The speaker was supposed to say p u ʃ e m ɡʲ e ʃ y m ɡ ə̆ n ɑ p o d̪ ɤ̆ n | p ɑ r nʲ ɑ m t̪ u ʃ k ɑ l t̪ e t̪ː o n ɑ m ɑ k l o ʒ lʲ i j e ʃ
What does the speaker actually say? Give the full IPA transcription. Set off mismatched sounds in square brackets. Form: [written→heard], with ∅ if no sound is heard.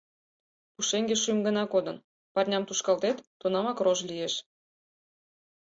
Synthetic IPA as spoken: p u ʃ e [m→ŋ] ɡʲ e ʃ y m ɡ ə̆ n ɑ [p→k] o d̪ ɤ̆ n | p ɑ r nʲ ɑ m t̪ u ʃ k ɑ l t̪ e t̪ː o n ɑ m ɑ k [l→r] o ʒ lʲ i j e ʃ